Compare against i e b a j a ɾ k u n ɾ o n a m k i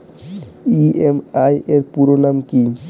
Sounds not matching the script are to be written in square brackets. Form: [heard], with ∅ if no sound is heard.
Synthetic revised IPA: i e [m] a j [e] ɾ [p] u [∅] ɾ o n a m k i